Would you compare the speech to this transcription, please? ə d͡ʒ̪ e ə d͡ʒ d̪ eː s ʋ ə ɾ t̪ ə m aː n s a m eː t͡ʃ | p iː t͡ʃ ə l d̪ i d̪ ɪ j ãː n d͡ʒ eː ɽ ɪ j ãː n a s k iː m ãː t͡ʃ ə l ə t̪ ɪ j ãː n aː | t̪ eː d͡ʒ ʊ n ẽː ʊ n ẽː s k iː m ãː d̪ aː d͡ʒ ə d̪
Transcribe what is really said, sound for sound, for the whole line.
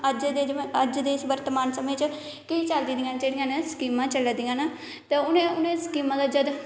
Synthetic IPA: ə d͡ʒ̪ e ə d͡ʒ d̪ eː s ʋ ə ɾ t̪ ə m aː n s ə m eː t͡ʃ | k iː t͡ʃ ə l d̪ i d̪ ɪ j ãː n d͡ʒ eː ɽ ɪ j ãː n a s k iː m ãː t͡ʃ ə l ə d̪ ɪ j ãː n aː | t̪ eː ʊ n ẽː ʊ n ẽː s k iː m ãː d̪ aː d͡ʒ ə d̪